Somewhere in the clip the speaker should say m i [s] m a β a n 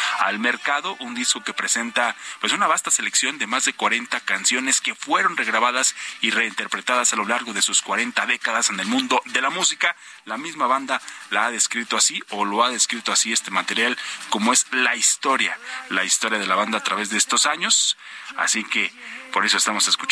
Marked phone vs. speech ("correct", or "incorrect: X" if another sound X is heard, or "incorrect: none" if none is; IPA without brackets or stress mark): incorrect: z